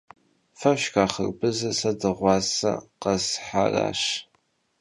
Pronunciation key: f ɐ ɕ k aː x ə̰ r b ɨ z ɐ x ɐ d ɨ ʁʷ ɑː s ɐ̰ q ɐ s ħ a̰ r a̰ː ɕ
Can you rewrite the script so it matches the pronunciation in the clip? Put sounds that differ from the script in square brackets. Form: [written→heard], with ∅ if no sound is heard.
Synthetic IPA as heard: f ɐ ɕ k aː [x→χ] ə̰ r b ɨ z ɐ [x→s] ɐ d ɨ ʁʷ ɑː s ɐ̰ q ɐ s ħ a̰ r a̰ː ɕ